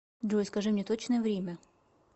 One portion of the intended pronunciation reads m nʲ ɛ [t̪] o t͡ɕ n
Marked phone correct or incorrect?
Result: correct